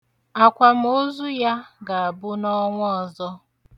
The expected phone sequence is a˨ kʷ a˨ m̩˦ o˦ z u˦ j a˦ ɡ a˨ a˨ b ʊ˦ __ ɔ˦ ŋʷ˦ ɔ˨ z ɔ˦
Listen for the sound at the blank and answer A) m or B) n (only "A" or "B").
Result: B